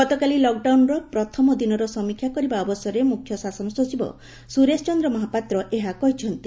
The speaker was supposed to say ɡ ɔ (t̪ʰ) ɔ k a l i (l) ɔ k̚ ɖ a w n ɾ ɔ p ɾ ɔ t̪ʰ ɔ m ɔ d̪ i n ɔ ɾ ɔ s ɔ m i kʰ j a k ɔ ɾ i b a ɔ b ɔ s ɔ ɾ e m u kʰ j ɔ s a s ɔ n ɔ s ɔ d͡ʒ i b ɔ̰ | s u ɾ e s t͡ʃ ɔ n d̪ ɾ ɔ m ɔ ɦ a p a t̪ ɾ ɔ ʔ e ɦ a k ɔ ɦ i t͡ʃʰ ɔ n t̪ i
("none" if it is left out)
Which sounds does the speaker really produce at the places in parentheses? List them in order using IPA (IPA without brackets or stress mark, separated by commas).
t̪, l